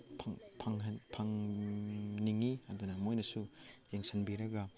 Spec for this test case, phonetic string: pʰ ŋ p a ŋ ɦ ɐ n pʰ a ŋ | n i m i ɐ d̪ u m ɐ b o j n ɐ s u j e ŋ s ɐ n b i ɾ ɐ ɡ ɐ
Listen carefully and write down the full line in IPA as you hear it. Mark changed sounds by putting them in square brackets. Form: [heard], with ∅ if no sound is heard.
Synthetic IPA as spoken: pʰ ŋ [pʰ] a ŋ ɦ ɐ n pʰ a ŋ | n i [ŋ] i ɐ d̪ u [n] ɐ [m] o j n ɐ s u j e ŋ s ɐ n b i ɾ ɐ ɡ ɐ